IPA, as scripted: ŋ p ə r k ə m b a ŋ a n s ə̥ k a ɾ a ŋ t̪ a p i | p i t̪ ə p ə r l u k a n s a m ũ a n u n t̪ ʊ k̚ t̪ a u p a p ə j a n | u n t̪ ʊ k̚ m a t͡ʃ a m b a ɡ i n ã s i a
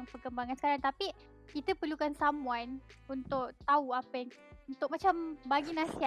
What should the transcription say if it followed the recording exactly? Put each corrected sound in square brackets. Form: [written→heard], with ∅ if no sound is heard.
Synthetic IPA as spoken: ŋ p ə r k ə m b a ŋ a n s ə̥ k a ɾ a ŋ t̪ a p i | [p→k] i t̪ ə p ə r l u k a n s a m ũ a n u n t̪ ʊ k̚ t̪ a u [p→∅] a p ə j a [n→ŋ] | u n t̪ ʊ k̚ m a t͡ʃ a m b a ɡ i n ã s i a